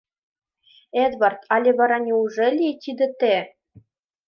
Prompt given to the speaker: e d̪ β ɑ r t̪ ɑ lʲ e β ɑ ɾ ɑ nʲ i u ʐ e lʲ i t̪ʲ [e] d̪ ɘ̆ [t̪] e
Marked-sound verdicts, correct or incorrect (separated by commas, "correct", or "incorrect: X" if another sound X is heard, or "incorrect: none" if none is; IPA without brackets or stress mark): incorrect: i, correct